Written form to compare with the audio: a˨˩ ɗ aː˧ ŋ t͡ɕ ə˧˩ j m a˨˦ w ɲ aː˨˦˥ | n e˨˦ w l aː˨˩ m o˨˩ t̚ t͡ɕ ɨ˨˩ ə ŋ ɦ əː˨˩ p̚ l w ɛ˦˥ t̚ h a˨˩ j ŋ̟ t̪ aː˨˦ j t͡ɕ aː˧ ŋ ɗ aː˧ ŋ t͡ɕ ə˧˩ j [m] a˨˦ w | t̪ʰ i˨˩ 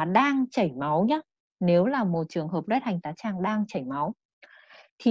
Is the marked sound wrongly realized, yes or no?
no